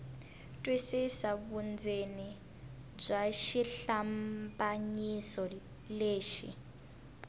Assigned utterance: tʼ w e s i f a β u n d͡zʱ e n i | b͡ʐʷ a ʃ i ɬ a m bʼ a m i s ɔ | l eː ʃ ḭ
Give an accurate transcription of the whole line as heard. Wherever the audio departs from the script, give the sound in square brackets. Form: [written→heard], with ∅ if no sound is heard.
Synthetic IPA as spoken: tʼ w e s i [f→s] a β u n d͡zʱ e n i | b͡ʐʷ a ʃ i ɬ a m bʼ a [m→ɲ] i s ɔ | l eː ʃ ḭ